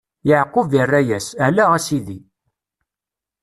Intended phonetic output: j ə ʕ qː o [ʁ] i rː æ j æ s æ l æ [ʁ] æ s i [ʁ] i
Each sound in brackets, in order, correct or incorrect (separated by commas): incorrect, correct, incorrect